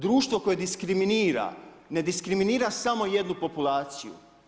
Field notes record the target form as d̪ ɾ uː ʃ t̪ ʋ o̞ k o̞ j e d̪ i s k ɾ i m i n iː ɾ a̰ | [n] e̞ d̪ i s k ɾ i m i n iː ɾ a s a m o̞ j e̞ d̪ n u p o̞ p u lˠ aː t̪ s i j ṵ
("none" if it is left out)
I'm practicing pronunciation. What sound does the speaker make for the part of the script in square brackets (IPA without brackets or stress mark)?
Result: n